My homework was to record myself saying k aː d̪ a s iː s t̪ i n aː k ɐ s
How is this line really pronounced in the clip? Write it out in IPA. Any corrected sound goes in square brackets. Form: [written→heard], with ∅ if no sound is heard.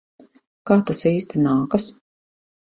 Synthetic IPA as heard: k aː [d̪→t̪] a s iː s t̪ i n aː k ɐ s